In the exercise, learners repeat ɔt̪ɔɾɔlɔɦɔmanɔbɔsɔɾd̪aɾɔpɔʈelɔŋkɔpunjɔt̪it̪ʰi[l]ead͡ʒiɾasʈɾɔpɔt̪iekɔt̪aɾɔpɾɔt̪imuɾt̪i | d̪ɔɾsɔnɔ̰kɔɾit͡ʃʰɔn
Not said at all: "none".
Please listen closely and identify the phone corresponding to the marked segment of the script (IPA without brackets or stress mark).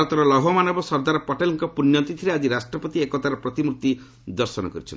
ɾ